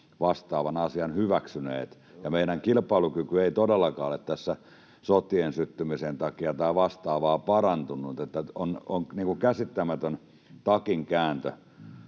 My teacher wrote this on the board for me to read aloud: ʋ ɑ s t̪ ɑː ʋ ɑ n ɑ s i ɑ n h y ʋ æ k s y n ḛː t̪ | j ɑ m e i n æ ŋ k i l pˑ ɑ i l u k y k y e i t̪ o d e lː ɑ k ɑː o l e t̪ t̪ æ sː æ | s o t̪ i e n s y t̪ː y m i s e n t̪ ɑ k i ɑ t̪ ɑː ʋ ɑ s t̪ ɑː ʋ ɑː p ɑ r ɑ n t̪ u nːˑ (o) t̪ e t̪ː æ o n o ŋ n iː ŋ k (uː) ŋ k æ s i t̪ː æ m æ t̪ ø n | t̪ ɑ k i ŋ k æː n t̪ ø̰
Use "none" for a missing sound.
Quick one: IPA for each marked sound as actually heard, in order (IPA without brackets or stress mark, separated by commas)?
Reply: u, u